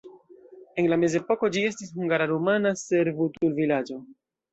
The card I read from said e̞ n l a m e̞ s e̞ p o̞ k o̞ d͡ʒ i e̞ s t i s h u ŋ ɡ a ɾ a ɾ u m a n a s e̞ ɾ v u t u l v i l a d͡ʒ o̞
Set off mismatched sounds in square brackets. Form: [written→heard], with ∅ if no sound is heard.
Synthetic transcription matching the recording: e̞ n l a m e̞ [s→z] e̞ p o̞ k o̞ d͡ʒ i e̞ s t i s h u ŋ ɡ a ɾ a ɾ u m a n a s e̞ ɾ v u t u l v i l a d͡ʒ o̞